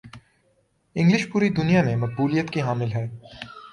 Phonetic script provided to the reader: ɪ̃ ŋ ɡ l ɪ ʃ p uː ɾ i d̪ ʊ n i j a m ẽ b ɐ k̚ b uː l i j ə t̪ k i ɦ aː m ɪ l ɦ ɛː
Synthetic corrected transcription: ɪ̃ ŋ ɡ l ɪ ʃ p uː ɾ i d̪ ʊ n i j a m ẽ m ɐ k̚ b uː l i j ə t̪ k i ɦ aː m ɪ l ɦ ɛː